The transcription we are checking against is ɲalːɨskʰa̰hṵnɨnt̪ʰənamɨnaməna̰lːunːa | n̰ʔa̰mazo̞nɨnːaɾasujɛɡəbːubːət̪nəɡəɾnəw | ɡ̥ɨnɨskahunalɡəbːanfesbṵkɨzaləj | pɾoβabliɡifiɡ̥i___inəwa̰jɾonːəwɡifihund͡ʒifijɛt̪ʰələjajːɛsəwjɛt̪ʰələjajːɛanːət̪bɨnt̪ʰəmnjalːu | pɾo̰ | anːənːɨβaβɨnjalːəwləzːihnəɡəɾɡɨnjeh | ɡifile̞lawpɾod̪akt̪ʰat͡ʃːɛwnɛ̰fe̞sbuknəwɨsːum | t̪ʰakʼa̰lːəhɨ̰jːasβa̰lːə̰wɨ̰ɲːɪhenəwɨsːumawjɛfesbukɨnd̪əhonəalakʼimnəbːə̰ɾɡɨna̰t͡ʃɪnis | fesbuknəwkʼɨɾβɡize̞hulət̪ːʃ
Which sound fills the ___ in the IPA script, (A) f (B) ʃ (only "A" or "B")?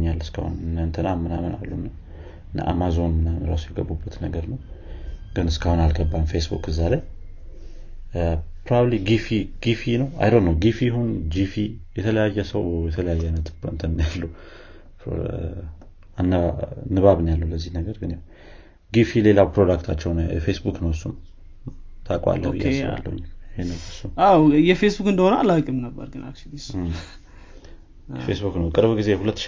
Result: A